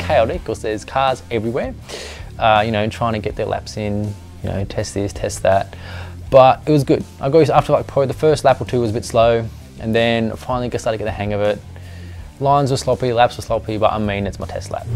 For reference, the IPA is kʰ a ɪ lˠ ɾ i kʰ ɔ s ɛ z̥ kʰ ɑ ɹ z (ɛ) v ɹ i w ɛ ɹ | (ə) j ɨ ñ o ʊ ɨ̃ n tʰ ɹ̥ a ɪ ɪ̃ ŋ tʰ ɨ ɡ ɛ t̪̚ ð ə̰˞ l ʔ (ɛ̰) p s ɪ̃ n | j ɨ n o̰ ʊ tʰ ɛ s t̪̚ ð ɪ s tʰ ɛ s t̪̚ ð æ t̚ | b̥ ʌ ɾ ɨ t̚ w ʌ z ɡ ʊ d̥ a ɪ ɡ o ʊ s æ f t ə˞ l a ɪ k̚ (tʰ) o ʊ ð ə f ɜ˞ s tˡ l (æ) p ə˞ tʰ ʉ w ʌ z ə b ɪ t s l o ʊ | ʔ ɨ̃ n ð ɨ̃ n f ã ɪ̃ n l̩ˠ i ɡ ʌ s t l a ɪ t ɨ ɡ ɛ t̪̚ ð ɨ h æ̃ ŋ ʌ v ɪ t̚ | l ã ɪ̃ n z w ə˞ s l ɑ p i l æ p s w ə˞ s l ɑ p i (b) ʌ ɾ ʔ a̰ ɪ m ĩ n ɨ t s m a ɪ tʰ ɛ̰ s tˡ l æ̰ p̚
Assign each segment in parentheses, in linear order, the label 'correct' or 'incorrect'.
correct, incorrect: ʌ, incorrect: æ̰, incorrect: pʰ, correct, correct

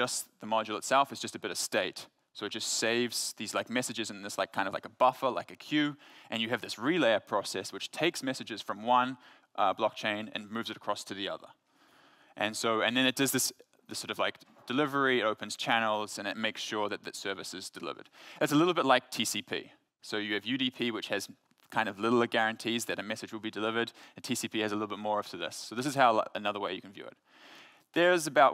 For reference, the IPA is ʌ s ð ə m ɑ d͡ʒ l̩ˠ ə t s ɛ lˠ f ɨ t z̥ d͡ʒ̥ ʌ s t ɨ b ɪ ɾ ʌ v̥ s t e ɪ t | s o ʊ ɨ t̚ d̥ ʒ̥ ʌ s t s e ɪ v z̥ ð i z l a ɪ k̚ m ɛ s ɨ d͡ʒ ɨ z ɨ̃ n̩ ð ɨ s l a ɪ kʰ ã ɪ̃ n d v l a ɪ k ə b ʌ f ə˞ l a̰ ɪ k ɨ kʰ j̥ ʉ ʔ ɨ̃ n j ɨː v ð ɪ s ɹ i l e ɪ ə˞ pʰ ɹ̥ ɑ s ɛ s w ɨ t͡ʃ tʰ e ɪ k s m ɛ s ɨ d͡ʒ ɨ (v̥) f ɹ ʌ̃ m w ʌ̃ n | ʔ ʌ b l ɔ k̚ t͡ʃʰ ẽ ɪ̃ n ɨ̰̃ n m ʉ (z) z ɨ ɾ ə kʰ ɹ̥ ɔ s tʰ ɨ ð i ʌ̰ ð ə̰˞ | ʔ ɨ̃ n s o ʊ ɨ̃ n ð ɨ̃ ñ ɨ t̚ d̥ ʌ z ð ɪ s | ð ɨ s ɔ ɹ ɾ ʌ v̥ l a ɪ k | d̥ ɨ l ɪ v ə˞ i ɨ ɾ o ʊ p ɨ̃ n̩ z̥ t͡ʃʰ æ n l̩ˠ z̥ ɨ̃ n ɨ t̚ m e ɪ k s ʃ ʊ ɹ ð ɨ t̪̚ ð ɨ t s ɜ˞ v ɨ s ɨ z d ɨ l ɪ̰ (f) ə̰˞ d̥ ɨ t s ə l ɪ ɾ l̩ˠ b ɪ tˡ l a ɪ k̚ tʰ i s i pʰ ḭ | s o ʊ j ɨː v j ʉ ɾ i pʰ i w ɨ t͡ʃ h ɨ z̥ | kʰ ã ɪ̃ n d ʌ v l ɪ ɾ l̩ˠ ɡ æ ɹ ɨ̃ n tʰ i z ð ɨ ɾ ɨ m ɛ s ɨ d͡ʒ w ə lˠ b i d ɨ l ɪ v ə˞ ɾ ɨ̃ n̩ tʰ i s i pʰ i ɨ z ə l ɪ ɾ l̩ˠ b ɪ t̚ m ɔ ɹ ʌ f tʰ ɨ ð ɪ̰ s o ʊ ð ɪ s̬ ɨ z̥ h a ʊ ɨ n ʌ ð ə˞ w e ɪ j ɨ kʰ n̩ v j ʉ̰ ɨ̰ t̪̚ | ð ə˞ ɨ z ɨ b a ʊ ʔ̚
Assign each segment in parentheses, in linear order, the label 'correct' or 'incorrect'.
incorrect: z̥, incorrect: v, incorrect: v

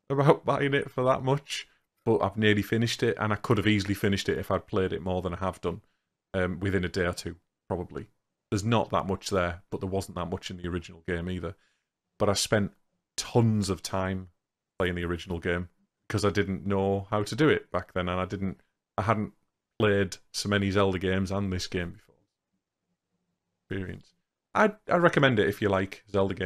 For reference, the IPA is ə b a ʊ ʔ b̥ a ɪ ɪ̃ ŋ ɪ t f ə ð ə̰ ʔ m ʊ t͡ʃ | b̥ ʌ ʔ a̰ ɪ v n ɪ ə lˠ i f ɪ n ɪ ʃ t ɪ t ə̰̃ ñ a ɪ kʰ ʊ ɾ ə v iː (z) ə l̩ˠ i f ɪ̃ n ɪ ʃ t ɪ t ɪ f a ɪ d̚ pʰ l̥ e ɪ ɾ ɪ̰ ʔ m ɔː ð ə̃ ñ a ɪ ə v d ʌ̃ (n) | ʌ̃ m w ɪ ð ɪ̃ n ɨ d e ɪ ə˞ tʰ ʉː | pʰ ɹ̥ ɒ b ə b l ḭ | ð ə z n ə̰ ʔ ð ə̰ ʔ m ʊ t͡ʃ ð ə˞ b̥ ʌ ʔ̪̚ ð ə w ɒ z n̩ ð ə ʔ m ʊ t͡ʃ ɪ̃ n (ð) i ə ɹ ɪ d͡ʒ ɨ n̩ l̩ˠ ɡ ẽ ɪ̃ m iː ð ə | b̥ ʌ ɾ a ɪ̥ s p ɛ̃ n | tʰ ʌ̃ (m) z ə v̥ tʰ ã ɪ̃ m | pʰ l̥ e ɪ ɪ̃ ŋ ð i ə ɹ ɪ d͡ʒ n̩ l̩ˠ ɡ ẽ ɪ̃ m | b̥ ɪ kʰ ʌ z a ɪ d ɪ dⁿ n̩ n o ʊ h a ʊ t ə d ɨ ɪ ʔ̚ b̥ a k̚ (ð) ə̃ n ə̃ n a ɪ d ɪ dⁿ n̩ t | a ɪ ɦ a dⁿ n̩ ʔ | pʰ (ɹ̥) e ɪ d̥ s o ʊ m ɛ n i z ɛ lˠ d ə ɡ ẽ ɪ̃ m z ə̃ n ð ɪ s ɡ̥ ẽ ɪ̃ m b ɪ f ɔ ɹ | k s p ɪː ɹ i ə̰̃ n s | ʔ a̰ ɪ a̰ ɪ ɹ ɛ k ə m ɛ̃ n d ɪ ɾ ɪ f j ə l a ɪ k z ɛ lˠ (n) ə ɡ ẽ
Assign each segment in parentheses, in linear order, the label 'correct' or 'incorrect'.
correct, correct, correct, incorrect: n, correct, incorrect: l̥, incorrect: d

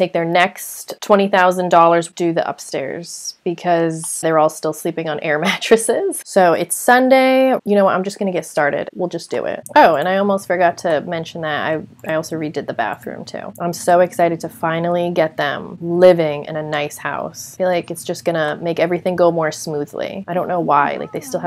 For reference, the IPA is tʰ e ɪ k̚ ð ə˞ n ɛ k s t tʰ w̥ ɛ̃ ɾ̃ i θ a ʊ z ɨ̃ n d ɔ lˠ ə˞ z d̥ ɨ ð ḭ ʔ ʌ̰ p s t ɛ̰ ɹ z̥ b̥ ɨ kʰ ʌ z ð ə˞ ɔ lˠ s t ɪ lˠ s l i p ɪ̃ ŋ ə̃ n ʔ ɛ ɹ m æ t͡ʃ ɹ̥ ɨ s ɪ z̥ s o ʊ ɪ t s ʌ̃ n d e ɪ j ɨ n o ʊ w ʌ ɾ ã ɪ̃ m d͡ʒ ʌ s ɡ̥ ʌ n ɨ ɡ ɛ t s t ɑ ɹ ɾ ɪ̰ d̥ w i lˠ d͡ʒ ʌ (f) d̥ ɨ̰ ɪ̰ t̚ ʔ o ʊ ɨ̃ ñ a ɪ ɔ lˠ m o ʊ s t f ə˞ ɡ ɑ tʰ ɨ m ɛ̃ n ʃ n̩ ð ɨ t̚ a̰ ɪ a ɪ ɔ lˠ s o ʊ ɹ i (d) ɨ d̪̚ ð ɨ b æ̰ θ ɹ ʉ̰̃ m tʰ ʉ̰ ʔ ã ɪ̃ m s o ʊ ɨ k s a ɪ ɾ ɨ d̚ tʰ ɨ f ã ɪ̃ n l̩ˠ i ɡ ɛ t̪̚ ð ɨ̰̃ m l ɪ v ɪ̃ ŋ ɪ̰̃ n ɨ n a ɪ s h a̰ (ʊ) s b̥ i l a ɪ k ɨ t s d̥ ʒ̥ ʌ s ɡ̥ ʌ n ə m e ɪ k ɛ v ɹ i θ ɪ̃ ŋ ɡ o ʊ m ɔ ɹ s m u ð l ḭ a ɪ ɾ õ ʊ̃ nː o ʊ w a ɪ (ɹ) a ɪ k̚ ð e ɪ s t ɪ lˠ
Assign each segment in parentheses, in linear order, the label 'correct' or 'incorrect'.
incorrect: s, correct, correct, incorrect: l

